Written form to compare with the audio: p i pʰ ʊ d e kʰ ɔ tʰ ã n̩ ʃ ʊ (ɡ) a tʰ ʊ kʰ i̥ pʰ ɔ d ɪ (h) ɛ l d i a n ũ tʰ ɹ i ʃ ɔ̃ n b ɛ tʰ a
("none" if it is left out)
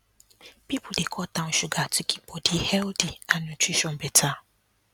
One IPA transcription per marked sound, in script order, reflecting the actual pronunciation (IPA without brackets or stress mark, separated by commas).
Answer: ɡ, h